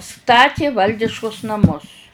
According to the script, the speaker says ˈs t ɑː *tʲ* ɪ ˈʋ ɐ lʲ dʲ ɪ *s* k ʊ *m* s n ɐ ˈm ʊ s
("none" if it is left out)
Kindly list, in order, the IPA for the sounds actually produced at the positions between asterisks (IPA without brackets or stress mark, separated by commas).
tʲ, ʃ, none